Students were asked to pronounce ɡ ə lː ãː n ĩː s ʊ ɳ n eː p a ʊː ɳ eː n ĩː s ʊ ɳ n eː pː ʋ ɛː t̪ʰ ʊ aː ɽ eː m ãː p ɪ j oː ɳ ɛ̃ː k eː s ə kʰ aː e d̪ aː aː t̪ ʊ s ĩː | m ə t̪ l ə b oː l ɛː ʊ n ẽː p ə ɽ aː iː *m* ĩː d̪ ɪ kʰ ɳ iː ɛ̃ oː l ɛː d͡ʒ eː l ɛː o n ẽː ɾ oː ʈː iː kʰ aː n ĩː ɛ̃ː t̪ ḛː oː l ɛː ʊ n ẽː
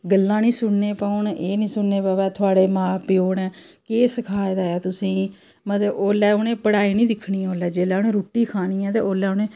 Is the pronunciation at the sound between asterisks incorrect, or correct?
incorrect